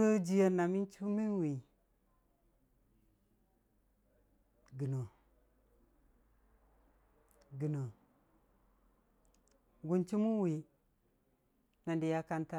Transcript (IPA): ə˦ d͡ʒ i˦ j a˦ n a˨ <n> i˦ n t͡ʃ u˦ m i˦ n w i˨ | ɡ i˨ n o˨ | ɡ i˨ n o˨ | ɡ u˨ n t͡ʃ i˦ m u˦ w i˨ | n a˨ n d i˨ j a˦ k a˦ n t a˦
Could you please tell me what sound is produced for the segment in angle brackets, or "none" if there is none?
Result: m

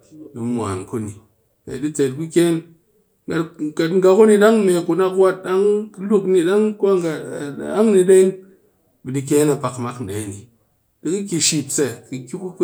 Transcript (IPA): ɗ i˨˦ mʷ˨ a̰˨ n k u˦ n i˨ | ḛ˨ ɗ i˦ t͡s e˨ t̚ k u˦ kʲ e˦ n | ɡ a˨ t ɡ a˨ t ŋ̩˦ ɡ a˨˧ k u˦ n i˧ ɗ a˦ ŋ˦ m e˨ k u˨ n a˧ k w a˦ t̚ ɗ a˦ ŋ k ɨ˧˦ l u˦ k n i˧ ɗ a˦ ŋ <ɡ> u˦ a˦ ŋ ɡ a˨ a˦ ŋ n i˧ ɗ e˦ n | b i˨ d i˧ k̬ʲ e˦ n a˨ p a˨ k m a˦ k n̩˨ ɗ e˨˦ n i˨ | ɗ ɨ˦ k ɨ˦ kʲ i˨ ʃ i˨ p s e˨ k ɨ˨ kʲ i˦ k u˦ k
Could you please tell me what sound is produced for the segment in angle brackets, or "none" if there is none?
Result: k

